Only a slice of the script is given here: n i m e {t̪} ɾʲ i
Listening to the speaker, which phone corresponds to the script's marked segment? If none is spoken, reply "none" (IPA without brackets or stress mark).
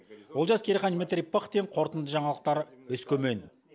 t̪